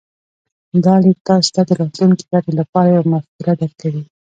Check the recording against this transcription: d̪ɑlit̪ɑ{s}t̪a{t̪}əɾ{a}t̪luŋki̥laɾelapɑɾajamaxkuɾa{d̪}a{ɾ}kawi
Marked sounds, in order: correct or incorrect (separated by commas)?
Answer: correct, incorrect, incorrect, correct, correct